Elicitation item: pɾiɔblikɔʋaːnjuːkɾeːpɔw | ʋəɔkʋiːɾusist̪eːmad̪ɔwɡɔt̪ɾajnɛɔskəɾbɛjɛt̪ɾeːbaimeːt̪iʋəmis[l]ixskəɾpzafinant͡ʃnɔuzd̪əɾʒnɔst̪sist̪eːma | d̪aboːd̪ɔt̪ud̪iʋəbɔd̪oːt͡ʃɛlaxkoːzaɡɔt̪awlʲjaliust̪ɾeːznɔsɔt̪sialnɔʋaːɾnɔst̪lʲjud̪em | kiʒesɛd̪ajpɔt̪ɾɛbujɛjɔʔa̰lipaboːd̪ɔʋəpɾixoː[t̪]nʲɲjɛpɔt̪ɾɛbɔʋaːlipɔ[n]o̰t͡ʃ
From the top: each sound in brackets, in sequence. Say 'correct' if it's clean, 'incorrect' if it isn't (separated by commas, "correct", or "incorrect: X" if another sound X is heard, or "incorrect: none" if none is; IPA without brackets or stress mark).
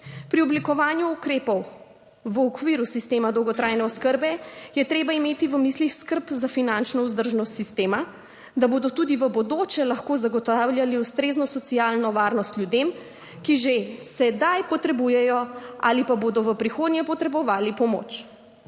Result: correct, incorrect: d̪, incorrect: m